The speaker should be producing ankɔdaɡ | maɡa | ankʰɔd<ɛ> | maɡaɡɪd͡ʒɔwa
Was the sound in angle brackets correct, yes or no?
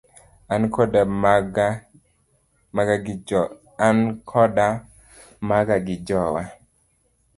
no